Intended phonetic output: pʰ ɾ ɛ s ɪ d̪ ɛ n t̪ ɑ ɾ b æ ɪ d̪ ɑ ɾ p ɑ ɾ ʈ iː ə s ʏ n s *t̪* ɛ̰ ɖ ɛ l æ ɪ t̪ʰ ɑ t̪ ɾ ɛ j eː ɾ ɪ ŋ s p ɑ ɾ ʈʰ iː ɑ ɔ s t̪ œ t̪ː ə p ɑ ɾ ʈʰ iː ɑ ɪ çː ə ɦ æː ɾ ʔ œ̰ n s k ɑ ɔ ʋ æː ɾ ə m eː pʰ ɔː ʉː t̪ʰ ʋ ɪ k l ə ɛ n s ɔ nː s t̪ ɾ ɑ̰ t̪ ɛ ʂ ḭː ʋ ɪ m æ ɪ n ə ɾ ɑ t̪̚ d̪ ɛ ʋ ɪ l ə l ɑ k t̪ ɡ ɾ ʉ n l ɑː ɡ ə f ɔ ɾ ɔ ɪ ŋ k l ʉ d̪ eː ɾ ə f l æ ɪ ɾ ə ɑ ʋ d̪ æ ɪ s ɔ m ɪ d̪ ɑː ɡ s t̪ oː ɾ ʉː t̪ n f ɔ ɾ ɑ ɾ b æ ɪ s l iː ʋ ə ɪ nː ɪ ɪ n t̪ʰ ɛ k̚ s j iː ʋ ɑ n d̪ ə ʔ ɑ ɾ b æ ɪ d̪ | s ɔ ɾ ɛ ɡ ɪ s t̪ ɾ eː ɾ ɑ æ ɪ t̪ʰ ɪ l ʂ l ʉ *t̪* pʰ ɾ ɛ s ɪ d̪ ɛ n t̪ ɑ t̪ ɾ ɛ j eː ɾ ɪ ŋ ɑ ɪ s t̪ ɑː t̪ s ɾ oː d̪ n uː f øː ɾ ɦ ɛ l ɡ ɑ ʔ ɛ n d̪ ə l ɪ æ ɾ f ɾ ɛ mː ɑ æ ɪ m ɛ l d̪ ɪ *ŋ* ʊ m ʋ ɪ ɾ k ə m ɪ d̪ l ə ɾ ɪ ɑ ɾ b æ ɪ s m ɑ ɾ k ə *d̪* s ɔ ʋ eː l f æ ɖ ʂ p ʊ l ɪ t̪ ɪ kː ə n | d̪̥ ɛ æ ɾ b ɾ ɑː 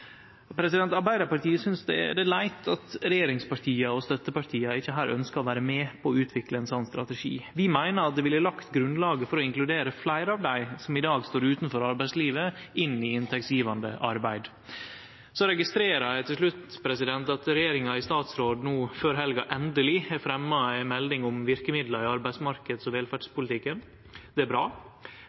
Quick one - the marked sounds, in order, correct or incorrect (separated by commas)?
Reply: incorrect, correct, correct, correct